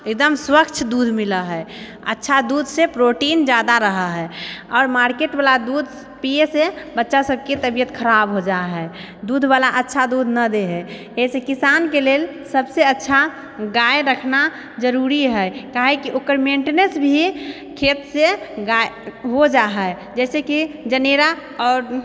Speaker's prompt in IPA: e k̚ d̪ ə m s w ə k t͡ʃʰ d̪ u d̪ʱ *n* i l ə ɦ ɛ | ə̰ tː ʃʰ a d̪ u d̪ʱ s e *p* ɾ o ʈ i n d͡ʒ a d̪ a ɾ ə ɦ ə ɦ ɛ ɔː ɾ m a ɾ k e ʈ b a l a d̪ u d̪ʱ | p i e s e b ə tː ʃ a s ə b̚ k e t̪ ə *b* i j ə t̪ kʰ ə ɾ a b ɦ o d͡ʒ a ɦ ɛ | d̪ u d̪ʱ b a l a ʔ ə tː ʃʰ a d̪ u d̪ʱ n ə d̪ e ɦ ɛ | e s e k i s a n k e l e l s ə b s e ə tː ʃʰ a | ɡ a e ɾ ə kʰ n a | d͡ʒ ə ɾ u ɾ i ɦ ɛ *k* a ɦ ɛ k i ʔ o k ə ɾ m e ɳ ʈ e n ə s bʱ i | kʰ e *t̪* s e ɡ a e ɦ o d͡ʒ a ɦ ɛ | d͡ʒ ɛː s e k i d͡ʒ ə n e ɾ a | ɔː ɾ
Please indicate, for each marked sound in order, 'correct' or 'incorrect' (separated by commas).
incorrect, correct, correct, correct, correct